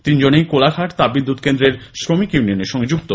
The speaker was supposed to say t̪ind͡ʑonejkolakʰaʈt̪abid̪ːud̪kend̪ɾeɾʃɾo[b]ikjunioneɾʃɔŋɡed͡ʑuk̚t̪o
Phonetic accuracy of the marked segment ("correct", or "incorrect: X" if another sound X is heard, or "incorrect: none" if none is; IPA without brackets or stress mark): incorrect: m